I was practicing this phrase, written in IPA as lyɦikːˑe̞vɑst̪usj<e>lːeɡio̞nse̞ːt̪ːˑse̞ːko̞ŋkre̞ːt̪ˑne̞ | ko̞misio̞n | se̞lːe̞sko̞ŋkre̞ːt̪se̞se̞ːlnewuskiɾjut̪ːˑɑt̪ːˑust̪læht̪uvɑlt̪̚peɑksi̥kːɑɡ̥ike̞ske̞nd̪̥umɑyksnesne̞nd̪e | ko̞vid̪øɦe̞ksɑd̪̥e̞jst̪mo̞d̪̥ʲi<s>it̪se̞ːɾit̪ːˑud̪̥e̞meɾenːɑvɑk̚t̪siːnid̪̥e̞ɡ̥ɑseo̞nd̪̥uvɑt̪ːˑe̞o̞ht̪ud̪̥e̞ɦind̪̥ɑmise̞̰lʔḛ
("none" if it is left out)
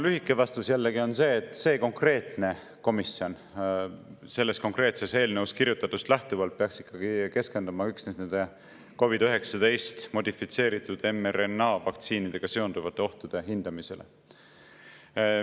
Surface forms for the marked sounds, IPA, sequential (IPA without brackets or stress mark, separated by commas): æ, f